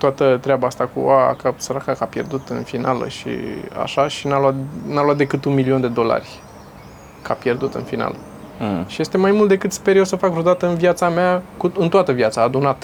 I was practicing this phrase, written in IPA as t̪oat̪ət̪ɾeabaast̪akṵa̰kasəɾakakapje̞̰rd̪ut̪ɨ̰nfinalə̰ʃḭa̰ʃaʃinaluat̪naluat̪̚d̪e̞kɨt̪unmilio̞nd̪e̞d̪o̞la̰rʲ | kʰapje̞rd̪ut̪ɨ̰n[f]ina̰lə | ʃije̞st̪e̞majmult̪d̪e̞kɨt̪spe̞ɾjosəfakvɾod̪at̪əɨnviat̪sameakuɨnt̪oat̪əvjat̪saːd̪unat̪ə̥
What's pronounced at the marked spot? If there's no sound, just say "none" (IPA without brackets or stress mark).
f